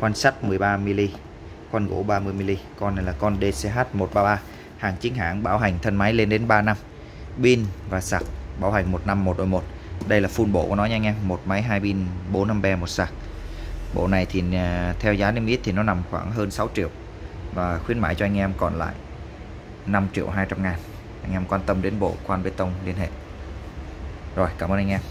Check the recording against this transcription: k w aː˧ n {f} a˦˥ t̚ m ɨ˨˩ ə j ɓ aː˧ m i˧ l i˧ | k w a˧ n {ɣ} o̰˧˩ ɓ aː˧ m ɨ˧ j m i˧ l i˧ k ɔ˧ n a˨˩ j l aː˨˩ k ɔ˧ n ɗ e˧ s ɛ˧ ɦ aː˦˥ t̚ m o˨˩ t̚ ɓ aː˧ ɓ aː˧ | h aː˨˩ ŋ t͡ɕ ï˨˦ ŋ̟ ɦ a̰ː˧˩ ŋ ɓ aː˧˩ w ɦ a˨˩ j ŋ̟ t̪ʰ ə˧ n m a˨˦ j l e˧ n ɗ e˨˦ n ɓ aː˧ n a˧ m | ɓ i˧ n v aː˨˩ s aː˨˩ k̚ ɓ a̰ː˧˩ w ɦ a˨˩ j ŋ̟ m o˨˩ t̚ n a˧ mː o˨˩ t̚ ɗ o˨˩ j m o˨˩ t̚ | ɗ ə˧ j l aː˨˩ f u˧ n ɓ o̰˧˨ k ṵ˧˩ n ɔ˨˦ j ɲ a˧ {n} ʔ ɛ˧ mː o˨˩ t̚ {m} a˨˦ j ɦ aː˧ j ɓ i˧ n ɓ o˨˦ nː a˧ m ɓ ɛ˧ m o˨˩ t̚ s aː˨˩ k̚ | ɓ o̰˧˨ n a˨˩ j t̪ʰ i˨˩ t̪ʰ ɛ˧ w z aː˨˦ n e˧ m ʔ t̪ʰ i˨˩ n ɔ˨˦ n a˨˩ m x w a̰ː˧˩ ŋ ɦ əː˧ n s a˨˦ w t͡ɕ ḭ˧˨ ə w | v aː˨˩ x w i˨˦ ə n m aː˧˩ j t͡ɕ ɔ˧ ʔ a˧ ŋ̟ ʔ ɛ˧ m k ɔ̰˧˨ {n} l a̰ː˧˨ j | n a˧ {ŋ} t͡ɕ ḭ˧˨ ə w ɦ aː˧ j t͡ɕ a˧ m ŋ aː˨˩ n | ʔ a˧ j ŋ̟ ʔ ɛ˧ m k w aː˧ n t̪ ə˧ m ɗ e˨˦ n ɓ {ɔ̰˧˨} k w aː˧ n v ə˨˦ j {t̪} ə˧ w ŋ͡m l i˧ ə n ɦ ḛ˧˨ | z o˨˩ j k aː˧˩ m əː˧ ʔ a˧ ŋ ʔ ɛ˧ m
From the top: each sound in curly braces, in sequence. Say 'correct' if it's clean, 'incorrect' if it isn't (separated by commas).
incorrect, correct, incorrect, correct, correct, incorrect, incorrect, correct